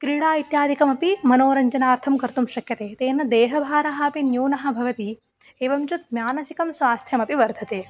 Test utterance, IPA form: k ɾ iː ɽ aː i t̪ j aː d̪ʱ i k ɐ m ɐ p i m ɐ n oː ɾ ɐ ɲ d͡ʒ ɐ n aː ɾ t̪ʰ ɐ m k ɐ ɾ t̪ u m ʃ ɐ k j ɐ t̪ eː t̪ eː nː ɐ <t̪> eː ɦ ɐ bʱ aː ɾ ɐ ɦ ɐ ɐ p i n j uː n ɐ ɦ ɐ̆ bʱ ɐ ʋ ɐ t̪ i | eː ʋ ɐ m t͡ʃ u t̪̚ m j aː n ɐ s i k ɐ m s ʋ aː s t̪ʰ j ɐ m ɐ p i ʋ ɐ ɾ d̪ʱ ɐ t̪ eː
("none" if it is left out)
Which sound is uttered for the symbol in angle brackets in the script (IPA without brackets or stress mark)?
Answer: d̪